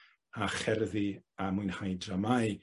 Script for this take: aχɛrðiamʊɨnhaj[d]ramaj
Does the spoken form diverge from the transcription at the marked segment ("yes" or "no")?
no